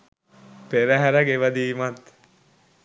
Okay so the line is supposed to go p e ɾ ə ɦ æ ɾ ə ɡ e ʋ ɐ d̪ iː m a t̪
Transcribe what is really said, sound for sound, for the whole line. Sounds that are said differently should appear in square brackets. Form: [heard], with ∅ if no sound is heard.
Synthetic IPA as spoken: p e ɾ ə ɦ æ ɾ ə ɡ e ʋ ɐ d̪ iː m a t̪